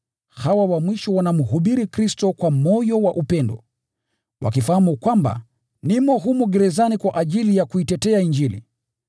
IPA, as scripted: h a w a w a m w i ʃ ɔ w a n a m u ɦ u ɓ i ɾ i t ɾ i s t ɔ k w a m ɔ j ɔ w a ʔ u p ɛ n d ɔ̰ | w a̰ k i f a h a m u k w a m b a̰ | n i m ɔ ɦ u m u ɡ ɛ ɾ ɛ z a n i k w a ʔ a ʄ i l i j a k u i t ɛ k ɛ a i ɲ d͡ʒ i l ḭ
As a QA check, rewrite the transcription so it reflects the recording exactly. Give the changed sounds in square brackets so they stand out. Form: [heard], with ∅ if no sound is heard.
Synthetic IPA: h a w a w a m w i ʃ ɔ w a n a m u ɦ u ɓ i ɾ i [k] ɾ i s t ɔ k w a m ɔ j ɔ w a ʔ u p ɛ n d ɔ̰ | w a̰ k i f a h a m u k w a m b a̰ | n i m ɔ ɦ u m u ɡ ɛ ɾ ɛ z a n i k w a ʔ a ʄ i l i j a k u i t ɛ [t] ɛ a i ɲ d͡ʒ i l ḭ